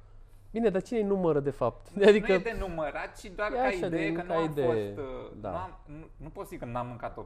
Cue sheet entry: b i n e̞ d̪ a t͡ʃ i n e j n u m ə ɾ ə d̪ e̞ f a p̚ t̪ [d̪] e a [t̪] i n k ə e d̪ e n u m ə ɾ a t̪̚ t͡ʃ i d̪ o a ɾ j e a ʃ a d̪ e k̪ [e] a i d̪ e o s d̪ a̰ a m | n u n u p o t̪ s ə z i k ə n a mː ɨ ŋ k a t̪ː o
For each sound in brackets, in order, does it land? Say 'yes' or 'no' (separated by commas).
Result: yes, no, no